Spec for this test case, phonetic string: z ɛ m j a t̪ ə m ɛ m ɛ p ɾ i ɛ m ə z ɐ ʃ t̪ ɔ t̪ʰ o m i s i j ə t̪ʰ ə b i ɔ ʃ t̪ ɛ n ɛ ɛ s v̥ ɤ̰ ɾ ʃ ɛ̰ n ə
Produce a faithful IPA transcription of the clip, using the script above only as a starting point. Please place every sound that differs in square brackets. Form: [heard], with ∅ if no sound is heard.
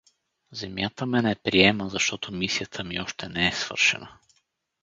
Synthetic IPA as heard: z ɛ m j a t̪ ə m ɛ [n] ɛ p ɾ i ɛ m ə z ɐ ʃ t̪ ɔ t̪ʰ o m i s i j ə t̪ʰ ə [m] i ɔ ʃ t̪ ɛ n ɛ ɛ s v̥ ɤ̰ ɾ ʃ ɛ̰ n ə